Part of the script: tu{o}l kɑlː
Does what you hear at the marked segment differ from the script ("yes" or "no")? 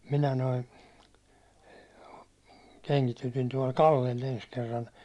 yes